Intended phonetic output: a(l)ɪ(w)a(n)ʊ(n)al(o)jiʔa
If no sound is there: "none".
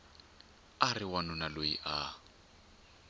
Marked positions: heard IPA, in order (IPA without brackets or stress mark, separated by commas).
r, w, n, n, o